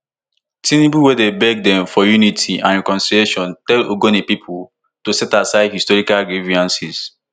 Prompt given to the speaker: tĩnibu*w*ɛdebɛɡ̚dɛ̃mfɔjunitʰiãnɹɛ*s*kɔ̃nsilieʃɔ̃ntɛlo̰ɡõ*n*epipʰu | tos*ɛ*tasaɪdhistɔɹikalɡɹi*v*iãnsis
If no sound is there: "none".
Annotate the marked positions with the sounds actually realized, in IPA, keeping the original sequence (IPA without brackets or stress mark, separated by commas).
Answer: w, none, n, ɛ, v